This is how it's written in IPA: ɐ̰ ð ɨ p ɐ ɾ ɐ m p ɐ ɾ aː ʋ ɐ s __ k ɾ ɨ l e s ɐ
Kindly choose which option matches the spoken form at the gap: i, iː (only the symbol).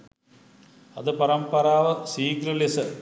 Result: iː